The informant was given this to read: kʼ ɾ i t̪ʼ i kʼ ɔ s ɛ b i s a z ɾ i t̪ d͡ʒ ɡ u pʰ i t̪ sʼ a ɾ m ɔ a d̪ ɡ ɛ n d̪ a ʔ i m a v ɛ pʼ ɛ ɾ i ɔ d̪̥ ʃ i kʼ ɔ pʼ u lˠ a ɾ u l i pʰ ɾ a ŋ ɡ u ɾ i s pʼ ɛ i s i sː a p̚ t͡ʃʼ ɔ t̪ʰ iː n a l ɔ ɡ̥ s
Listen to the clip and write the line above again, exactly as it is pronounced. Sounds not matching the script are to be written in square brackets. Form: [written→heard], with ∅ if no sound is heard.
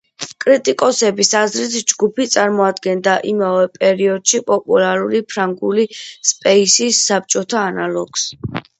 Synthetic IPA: kʼ ɾ i t̪ʼ i kʼ ɔ s ɛ b i s a z ɾ i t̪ d͡ʒ ɡ u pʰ i t̪ sʼ a ɾ m ɔ a d̪ ɡ ɛ n d̪ a ʔ i m a v ɛ pʼ ɛ ɾ i ɔ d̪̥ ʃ i [kʼ→pʼ] ɔ pʼ u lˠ a ɾ u l i pʰ ɾ a ŋ ɡ u [ɾ→l] i s pʼ ɛ i s i sː a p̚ t͡ʃʼ ɔ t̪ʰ [iː→aː] n a l ɔ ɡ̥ s